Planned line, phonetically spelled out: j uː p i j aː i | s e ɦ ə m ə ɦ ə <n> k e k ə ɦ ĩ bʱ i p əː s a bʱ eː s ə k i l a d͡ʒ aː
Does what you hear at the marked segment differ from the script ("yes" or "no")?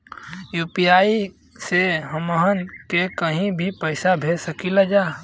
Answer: no